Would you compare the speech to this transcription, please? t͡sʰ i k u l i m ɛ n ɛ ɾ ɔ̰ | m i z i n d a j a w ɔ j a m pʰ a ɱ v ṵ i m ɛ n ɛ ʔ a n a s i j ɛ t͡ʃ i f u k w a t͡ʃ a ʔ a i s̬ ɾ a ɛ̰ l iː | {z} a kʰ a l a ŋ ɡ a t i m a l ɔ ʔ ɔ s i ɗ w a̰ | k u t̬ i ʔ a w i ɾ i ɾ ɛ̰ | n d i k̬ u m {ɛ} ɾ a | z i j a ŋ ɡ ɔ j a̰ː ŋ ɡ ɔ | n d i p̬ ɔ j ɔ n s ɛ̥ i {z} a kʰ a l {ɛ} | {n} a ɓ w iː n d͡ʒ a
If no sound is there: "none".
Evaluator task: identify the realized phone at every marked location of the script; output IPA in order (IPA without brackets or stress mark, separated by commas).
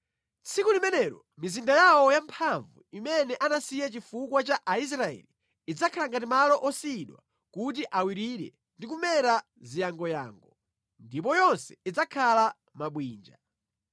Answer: d͡z, ɛ, d͡z, a, m